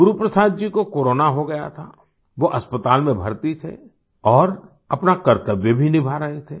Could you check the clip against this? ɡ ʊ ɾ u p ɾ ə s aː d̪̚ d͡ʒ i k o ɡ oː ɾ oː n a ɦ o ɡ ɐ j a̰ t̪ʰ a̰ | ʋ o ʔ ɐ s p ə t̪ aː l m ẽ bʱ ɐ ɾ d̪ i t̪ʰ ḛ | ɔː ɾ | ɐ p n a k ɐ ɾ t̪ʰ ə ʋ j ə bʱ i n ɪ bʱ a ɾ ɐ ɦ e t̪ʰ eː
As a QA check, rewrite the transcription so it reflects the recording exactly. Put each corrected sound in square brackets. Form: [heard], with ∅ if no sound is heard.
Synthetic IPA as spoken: ɡ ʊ ɾ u p ɾ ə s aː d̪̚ d͡ʒ i k o [k] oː ɾ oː n a ɦ o ɡ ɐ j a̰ t̪ʰ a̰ | ʋ o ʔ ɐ s p ə t̪ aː l m ẽ bʱ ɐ ɾ [t̪] i t̪ʰ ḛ | ɔː ɾ | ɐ p n a k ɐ ɾ [t̪] ə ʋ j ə bʱ i n ɪ bʱ a ɾ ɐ ɦ e t̪ʰ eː